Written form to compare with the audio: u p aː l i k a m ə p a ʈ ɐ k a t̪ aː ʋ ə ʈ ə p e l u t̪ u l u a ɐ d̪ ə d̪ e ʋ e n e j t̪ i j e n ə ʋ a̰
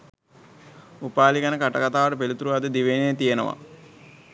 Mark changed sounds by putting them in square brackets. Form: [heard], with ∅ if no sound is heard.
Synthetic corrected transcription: u p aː l i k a [n] ə [k] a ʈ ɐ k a t̪ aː ʋ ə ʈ ə p e l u t̪ u [ɾ] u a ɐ d̪ ə d̪ [i] ʋ e n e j t̪ i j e n ə ʋ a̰